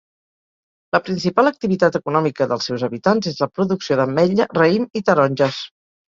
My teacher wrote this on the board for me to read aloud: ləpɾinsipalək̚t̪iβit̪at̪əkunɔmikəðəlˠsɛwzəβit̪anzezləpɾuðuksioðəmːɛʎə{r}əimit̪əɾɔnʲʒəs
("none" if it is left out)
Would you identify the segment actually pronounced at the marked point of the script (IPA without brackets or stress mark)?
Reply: r